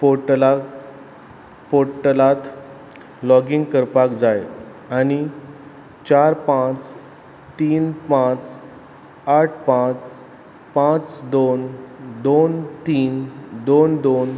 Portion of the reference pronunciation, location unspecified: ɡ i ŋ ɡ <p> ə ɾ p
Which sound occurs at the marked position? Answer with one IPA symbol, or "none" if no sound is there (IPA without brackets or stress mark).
k